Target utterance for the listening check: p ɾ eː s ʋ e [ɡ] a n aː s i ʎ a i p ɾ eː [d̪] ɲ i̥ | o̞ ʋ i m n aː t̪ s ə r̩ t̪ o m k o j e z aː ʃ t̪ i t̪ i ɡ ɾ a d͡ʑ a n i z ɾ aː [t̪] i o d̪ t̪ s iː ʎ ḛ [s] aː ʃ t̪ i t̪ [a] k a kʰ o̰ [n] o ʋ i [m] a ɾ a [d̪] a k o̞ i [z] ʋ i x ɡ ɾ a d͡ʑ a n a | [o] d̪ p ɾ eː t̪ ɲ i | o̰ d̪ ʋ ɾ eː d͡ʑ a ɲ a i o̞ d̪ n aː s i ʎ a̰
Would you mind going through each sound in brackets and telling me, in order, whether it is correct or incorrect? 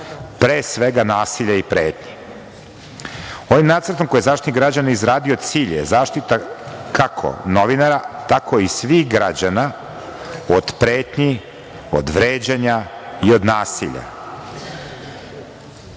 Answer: correct, incorrect: t̪, incorrect: d̪, incorrect: z, correct, correct, incorrect: n, incorrect: t̪, incorrect: s, correct

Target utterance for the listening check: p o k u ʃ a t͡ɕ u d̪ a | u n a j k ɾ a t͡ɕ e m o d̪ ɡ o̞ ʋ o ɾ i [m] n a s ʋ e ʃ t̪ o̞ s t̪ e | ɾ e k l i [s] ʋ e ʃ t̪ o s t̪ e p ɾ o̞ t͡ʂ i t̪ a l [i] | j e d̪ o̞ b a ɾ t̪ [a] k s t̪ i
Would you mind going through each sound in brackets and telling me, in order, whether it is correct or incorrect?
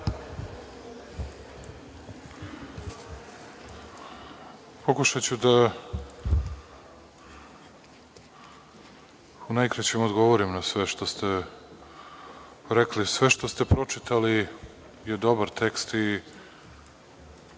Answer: correct, correct, correct, incorrect: e

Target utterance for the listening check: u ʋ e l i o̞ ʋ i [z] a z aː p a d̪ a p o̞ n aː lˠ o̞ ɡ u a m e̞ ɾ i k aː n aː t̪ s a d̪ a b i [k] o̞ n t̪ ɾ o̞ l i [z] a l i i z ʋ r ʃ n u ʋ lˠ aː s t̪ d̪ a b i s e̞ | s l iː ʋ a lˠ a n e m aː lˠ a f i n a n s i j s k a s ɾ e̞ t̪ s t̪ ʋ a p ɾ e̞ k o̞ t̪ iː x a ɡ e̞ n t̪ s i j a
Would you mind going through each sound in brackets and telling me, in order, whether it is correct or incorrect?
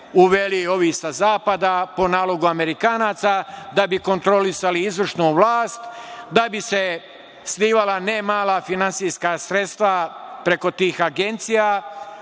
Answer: incorrect: s, correct, incorrect: s

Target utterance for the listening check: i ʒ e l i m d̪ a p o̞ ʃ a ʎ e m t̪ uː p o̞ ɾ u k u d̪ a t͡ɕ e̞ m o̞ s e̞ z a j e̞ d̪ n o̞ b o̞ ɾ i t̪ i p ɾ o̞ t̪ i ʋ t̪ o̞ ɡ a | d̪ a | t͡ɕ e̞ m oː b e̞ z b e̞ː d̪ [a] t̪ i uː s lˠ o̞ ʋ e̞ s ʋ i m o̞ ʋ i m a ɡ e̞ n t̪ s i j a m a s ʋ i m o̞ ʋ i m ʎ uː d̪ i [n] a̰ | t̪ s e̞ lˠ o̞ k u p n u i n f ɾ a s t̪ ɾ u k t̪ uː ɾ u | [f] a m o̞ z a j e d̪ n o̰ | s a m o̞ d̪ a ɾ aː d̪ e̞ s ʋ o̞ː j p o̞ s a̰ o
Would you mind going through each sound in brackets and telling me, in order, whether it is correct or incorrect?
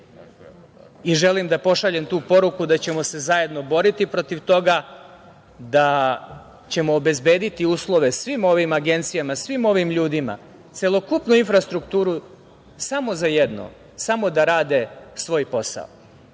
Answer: incorrect: i, incorrect: m, incorrect: s

